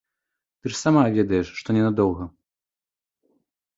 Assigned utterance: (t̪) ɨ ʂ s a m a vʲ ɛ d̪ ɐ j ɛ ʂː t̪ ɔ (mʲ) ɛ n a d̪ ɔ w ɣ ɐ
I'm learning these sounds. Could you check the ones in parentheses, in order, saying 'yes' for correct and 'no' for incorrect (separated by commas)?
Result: yes, no